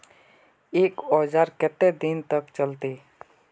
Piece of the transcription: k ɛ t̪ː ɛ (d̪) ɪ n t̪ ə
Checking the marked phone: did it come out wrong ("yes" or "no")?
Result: no